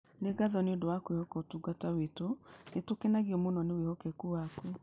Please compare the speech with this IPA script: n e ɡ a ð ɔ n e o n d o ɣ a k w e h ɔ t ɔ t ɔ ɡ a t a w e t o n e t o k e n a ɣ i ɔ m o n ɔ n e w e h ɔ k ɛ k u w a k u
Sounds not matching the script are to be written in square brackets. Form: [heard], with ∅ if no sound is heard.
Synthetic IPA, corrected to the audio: n e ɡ a ð ɔ n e o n d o [w] a k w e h ɔ [k] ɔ t [u] ɡ a t a w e t o n e t o k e n a ɣ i ɔ m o n ɔ n e w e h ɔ k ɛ k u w a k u